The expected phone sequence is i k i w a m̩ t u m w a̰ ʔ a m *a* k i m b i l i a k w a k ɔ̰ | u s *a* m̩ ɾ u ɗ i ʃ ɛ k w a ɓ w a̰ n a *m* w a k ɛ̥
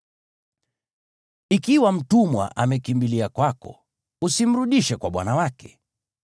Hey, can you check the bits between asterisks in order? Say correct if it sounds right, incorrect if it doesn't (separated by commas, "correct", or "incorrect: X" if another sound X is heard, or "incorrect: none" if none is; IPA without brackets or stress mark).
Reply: incorrect: ɛ, incorrect: i, incorrect: none